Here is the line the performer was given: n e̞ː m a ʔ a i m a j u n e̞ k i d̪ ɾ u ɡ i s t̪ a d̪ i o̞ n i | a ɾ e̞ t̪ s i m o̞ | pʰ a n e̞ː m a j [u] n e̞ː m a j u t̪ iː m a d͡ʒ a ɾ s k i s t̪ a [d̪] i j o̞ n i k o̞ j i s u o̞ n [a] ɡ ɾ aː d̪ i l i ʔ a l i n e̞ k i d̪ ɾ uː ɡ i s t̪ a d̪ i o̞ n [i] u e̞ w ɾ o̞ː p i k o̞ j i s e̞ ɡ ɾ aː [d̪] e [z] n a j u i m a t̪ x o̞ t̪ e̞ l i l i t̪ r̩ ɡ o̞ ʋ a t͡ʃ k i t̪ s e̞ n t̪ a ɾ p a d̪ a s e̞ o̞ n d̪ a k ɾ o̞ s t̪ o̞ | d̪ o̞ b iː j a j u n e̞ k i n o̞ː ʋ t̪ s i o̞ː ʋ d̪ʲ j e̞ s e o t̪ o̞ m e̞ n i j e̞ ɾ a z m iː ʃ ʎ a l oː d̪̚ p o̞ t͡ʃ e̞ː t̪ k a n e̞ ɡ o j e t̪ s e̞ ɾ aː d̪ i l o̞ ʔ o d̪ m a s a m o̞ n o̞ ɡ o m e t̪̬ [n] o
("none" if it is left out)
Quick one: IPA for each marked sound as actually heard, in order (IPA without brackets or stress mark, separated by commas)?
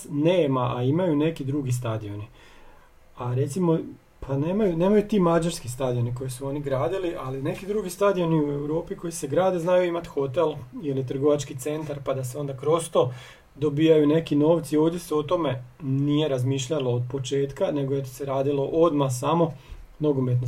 u, d̪, i, i, d̪, z, n